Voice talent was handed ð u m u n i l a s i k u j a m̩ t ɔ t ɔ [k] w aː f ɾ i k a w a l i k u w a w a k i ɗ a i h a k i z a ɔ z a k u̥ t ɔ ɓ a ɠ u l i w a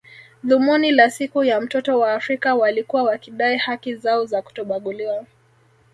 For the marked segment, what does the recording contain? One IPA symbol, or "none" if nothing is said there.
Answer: none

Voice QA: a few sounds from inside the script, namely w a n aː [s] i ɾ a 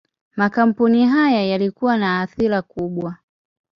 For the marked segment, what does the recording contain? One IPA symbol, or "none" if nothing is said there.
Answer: θ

